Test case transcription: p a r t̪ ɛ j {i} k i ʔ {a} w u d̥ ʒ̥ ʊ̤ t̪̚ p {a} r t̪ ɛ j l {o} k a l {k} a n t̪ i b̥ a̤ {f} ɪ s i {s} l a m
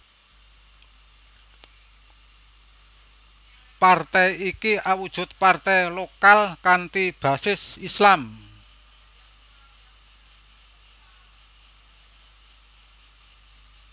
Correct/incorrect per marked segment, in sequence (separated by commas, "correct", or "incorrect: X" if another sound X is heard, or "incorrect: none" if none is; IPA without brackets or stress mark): correct, correct, correct, correct, correct, incorrect: s, correct